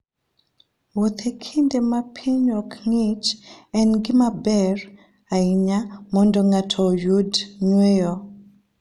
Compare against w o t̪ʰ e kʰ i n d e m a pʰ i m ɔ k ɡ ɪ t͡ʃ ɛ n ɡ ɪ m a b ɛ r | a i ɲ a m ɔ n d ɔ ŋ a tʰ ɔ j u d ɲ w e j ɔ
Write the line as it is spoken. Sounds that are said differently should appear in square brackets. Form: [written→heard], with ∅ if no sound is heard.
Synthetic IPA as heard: w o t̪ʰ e kʰ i n d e m a pʰ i [m→ɲ] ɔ k [ɡ→ŋ] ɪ t͡ʃ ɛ n ɡ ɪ m a b ɛ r | a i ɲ a m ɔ n d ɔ ŋ a tʰ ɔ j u d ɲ w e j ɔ

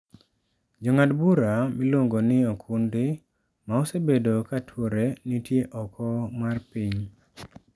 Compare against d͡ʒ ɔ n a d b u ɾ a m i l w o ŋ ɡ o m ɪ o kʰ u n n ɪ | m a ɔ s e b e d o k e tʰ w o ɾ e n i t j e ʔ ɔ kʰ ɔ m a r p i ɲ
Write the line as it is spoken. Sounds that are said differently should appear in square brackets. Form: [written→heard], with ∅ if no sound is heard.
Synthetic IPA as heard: d͡ʒ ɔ [n→ŋ] a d b u ɾ a m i l w o ŋ ɡ o [m→n] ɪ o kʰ u n [n→d] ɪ | m a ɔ s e b e d o k [e→a] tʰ w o ɾ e n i t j e ʔ ɔ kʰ ɔ m a r p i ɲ

